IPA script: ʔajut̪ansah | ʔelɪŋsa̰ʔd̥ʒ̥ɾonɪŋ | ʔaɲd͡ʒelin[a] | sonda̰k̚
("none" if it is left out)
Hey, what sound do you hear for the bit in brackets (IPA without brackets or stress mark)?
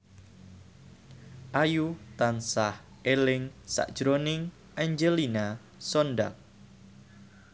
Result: a